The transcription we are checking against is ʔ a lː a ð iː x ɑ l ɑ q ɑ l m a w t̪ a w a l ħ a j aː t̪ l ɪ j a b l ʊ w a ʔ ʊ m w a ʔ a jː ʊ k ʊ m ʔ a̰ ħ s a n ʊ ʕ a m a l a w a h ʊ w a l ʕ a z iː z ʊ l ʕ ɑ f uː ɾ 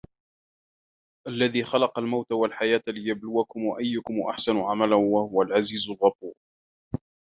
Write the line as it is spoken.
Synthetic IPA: ʔ a lː a ð iː x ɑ l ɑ q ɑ l m a w t̪ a w a l ħ a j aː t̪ l ɪ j a b l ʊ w a k ʊ m w a ʔ a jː ʊ k ʊ m ʔ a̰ ħ s a n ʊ ʕ a m a l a w a h ʊ w a l ʕ a z iː z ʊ l ɣ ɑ f uː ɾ